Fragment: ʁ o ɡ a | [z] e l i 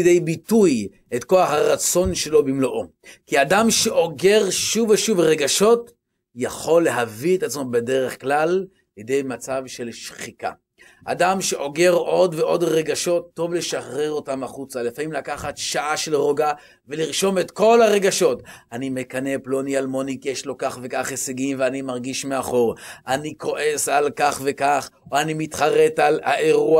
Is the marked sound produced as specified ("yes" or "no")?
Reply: no